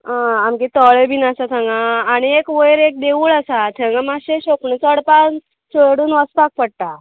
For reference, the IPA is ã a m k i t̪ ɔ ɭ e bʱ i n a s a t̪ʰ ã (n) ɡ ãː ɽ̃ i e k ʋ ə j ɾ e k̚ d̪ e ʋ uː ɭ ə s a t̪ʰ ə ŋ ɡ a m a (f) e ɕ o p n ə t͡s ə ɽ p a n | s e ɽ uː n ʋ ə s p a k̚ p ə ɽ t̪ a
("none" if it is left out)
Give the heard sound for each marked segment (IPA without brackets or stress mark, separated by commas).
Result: ŋ, ɕ